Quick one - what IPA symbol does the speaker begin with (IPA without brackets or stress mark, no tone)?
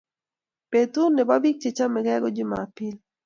p